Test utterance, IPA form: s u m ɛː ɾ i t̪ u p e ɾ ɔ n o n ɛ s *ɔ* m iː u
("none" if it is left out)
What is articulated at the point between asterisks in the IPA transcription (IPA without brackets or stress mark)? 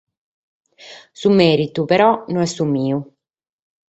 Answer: u